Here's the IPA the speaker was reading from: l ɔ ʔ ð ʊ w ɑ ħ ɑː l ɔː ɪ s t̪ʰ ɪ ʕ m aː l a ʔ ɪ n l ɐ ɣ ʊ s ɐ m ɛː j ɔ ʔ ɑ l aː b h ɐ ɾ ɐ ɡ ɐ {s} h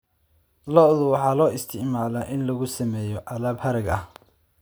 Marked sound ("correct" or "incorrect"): incorrect